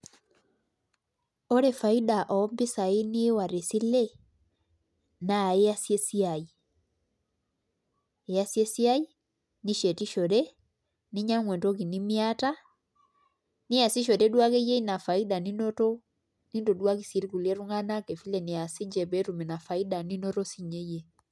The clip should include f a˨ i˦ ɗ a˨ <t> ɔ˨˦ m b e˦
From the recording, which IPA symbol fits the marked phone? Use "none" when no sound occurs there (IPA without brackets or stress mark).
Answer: ʔ